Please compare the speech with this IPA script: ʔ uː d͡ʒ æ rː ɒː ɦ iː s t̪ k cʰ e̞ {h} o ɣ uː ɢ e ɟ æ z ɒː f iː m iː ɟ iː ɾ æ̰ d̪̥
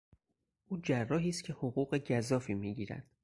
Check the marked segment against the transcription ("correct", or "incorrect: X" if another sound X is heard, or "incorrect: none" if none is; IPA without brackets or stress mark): correct